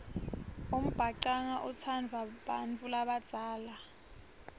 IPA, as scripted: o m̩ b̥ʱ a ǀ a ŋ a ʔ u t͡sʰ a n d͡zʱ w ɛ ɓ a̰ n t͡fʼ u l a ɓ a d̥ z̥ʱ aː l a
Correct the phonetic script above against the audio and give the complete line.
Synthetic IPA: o m̩ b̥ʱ a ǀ a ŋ a ʔ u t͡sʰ a n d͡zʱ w a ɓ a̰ n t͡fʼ u l a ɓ a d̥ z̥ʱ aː l a